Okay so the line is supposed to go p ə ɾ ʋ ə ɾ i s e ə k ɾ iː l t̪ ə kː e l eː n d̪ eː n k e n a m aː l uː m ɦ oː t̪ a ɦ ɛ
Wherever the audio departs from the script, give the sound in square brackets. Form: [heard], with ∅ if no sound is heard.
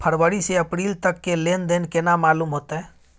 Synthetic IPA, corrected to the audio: [pʰ] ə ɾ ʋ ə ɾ i s e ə [p] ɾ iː l t̪ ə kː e l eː n d̪ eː n k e n a m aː l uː m ɦ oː t̪ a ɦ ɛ